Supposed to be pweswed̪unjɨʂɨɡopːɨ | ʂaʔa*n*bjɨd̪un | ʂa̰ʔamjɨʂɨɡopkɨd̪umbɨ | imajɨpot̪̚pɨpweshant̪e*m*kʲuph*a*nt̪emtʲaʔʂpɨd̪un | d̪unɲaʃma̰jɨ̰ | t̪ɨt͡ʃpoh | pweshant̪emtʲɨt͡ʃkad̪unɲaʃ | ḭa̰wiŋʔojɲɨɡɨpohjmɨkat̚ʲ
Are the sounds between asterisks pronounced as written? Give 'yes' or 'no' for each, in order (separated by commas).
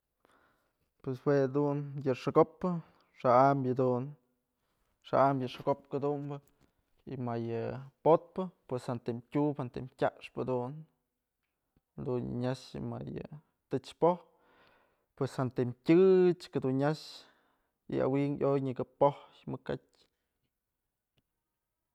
no, yes, yes